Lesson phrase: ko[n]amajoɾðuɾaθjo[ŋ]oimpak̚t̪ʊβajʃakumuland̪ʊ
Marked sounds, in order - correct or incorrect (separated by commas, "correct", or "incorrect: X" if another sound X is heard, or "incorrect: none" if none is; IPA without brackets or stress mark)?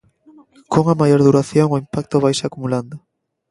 incorrect: ŋ, correct